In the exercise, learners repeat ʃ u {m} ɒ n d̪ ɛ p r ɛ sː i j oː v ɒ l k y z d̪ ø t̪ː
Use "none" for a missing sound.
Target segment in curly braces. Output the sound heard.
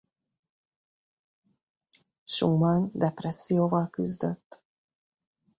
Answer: m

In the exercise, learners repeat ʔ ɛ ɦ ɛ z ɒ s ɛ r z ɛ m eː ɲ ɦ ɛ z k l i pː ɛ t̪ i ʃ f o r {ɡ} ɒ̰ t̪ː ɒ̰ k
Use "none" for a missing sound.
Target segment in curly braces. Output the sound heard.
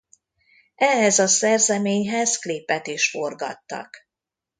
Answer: ɡ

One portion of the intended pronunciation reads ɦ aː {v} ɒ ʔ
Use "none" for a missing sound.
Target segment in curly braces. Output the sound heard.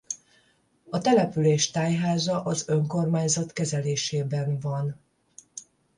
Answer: z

